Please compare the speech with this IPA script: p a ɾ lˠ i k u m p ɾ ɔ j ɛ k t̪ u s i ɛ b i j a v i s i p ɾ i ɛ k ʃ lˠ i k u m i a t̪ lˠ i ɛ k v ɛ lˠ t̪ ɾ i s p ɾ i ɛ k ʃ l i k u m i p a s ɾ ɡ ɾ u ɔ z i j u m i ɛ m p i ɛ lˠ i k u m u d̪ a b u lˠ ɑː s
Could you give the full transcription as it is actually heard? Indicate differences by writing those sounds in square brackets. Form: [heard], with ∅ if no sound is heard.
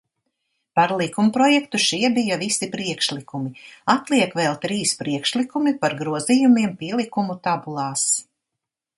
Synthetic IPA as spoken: p a ɾ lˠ i k u m p ɾ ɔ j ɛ k t̪ u [ʃ] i ɛ b i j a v i s i p ɾ i ɛ k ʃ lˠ i k u m i a t̪ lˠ i ɛ k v ɛ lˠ t̪ ɾ [iː] s p ɾ i ɛ k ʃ l i k u m i p a [∅] ɾ ɡ ɾ u ɔ z i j u m i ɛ m p i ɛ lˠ i k u m u [t̪] a b u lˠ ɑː s